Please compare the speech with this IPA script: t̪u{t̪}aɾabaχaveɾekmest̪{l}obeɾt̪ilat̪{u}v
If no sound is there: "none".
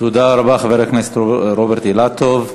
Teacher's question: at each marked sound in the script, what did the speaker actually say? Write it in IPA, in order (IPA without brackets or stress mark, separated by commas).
d̪, ɾ, o